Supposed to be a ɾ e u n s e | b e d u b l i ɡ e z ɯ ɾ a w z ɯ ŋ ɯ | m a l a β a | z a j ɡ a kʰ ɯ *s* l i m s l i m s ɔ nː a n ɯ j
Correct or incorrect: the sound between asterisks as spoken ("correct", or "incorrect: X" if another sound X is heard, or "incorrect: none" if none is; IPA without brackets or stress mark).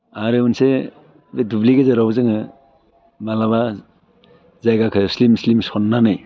correct